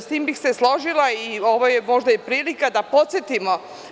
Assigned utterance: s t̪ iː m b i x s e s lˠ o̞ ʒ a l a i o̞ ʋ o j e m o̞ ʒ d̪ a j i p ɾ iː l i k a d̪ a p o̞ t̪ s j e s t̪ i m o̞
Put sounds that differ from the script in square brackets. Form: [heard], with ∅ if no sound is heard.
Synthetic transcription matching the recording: s t̪ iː m b i x s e s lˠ o̞ ʒ [i] l a i o̞ ʋ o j e m o̞ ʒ d̪ a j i p ɾ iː l i k a d̪ a p o̞ t̪ s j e [∅] t̪ i m o̞